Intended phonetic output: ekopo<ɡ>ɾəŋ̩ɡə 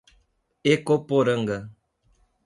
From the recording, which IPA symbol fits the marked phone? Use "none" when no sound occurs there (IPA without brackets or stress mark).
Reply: none